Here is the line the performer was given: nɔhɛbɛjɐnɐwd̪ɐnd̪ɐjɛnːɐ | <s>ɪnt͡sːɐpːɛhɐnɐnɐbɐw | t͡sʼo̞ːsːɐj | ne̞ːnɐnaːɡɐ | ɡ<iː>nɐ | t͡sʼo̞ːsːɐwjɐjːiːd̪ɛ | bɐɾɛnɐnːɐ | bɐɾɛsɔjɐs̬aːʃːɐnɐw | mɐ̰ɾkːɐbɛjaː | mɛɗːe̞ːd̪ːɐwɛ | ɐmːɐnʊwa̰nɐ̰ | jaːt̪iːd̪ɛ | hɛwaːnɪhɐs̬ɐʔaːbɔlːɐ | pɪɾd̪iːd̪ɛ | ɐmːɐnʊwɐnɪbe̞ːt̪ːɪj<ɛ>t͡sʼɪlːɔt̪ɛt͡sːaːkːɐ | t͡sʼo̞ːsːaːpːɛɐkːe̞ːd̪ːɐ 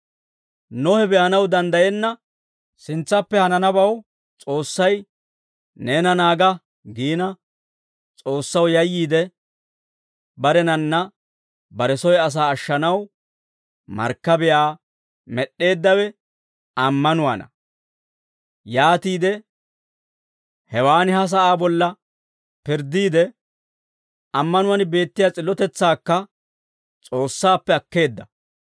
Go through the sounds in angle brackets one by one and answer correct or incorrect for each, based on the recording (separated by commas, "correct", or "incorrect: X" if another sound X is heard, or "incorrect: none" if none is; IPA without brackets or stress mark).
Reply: correct, correct, incorrect: a